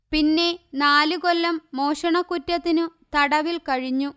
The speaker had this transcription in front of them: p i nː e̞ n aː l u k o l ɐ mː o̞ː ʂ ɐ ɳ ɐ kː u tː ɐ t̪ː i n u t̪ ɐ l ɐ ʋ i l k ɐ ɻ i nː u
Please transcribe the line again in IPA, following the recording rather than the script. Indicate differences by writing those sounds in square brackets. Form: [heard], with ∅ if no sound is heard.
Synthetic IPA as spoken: p i nː e̞ n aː l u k o [lː] ɐ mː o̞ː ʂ ɐ ɳ ɐ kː u tː ɐ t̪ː i n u t̪ ɐ [ɽ] ɐ ʋ i l k ɐ ɻ i [ɲː] u